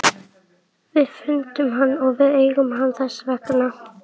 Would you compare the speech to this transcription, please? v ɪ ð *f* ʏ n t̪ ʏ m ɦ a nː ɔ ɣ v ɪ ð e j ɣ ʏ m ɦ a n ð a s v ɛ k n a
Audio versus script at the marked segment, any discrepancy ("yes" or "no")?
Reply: no